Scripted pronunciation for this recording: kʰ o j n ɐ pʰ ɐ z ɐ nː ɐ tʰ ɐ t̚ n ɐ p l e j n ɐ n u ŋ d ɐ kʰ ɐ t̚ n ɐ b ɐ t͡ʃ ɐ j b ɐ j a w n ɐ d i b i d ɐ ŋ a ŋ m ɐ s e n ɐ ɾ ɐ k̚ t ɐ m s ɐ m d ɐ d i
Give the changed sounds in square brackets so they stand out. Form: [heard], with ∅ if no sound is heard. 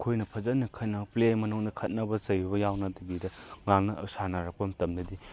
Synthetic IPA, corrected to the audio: kʰ o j n ɐ pʰ ɐ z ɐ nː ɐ [kʰ] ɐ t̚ n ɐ p l e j [m] ɐ n u ŋ d ɐ kʰ ɐ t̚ n ɐ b ɐ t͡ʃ ɐ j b ɐ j a w n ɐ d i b i d ɐ ŋ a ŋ [n] ɐ s [a] n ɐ ɾ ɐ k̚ [p] ɐ m [t] ɐ m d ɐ d i